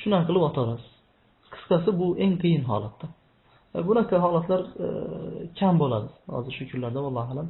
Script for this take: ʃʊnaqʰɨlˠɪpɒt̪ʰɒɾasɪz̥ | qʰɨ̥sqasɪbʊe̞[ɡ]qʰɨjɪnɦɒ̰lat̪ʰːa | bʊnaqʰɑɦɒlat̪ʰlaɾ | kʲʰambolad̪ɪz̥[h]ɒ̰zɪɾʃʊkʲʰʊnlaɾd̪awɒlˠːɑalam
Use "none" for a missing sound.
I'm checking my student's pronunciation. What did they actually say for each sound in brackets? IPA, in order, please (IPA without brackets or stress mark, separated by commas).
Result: ŋ, h